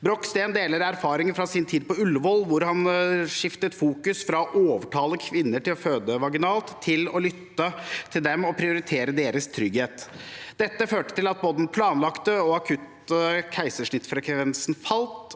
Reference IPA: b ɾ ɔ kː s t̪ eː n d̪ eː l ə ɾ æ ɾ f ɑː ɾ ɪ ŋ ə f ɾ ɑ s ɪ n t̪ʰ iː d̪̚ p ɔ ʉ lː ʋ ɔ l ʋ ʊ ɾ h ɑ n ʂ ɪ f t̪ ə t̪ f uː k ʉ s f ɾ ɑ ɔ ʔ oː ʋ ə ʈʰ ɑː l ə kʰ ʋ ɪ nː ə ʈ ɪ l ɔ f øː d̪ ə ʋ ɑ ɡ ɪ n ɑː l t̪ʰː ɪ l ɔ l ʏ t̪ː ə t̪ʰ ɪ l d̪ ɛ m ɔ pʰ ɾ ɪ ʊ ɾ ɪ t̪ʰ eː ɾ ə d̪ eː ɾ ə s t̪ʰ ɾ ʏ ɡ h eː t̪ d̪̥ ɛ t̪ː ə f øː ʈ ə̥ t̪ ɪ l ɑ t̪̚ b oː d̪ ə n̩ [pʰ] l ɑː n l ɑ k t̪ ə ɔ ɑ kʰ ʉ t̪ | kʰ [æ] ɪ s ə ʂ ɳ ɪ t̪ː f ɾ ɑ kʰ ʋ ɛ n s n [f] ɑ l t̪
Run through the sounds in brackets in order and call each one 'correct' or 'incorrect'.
correct, correct, correct

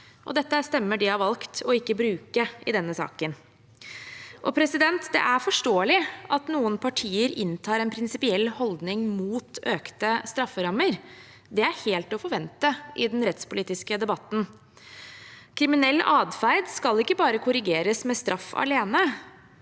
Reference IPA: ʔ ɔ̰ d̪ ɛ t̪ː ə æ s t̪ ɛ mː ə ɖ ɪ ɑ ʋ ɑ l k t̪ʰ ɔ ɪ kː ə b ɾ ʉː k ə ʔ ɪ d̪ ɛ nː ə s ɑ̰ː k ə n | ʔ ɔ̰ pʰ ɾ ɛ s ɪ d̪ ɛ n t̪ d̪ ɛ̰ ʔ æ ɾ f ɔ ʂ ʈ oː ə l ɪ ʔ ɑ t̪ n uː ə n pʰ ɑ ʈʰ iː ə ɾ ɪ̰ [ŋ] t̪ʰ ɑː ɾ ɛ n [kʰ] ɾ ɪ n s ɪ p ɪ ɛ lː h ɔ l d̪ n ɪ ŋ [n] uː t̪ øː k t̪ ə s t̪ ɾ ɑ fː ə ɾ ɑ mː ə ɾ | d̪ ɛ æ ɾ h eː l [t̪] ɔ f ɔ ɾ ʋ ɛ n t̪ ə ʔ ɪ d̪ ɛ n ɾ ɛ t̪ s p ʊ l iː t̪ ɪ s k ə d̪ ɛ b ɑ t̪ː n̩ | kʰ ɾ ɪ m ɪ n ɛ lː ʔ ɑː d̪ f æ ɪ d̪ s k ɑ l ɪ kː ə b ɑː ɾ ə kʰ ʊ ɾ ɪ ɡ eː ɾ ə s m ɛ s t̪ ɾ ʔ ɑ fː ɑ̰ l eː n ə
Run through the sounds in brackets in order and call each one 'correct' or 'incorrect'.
incorrect, incorrect, incorrect, correct

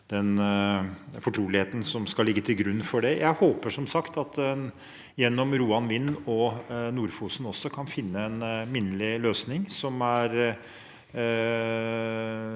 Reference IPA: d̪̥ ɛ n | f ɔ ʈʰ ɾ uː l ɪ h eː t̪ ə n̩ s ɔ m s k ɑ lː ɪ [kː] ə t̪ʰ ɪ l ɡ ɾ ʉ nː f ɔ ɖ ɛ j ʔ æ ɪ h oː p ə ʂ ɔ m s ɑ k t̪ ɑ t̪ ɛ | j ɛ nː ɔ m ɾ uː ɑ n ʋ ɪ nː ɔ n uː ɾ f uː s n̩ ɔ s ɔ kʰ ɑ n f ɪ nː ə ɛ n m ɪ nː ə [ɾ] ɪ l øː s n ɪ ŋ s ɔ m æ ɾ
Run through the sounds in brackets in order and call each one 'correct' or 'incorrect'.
incorrect, incorrect

